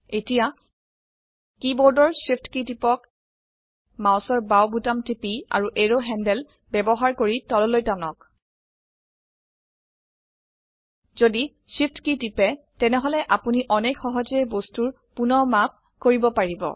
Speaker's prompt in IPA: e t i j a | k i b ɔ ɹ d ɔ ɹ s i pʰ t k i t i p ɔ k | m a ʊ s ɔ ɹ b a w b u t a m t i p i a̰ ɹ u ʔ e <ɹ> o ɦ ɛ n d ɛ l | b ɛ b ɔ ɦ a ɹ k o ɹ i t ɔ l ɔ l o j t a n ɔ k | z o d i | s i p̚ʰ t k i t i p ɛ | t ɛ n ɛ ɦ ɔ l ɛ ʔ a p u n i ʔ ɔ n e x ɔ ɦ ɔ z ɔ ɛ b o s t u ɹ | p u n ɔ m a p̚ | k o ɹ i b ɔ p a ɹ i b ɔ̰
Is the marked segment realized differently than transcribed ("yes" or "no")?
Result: no